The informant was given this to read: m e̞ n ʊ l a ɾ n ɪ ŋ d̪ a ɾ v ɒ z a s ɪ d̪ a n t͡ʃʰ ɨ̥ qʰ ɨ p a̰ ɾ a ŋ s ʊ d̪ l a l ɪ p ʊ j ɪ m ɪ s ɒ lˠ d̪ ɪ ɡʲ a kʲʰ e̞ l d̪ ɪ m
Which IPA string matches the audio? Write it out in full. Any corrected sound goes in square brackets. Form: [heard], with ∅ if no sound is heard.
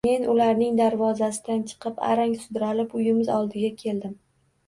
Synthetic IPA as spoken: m e̞ n ʊ l a ɾ n ɪ ŋ d̪ a ɾ v ɒ z a s ɪ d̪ a n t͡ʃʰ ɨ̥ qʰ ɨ p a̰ ɾ a ŋ s ʊ d̪ [ɾ] a l ɪ p ʊ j ɪ m ɪ [z] ɒ lˠ d̪ ɪ ɡʲ a kʲʰ e̞ l d̪ ɪ m